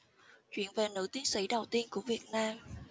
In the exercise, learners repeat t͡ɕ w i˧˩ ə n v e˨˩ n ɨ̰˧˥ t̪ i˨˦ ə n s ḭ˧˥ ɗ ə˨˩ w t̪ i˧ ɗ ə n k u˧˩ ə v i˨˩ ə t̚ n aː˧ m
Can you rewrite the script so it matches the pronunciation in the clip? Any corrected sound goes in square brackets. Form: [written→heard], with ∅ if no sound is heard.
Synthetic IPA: t͡ɕ w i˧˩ ə n v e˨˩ n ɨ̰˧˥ t̪ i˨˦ ə n s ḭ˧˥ ɗ ə˨˩ w t̪ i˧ [ɗ→∅] ə n k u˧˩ ə v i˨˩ ə t̚ n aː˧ m